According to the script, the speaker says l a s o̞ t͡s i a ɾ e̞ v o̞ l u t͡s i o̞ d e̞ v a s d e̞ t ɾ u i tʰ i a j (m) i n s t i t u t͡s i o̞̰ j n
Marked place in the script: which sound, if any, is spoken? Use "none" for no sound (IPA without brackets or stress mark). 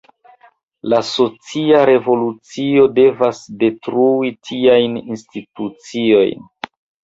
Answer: n